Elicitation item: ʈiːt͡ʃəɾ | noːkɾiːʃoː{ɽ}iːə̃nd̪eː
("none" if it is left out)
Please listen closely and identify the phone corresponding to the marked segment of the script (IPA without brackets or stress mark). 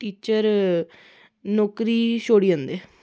ɽ